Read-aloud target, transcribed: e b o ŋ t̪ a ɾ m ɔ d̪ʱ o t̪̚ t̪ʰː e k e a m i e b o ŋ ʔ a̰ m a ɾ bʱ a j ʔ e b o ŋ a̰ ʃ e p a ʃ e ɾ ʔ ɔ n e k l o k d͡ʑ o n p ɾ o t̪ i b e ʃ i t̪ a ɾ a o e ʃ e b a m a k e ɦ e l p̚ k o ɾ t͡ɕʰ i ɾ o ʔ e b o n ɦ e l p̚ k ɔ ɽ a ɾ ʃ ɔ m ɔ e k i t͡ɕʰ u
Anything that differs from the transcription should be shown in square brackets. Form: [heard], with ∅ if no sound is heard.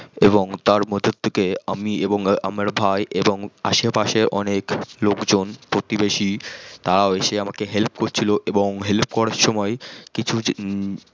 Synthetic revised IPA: e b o ŋ t̪ a ɾ m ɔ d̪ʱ o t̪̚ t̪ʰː e k e a m i e b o ŋ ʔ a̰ m a ɾ bʱ a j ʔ e b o ŋ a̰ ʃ e p a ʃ e ɾ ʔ ɔ n e k l o k d͡ʑ o n p ɾ o t̪ i b e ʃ i t̪ a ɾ a o e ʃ e [∅] a m a k e ɦ e l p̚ k o ɾ t͡ɕʰ i [l] o ʔ e b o [ŋ] ɦ e l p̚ k ɔ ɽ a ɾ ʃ ɔ m ɔ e k i t͡ɕʰ u

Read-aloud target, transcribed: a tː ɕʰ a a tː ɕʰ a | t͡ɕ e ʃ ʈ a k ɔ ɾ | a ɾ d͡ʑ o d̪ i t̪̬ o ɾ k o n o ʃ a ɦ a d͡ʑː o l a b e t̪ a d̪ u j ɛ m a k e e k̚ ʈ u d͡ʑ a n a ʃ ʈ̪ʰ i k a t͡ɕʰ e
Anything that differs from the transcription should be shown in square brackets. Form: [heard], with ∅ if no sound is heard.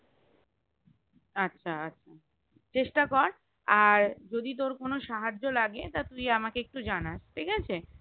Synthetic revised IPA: a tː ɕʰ a a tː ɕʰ a | t͡ɕ e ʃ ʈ a k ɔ ɾ | a ɾ d͡ʑ o d̪ i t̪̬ o ɾ k o n o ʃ a ɦ a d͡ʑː o l a [ɡ] e t̪ a [t̪] u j [a] m a k e e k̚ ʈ u d͡ʑ a n a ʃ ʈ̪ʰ i k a t͡ɕʰ e

